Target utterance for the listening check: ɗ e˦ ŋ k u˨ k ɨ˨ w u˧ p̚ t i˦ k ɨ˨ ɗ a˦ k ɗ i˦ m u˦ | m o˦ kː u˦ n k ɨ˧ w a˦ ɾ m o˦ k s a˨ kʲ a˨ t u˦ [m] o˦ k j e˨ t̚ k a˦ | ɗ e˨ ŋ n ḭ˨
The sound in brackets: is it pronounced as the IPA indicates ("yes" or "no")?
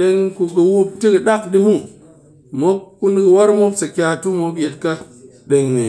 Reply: yes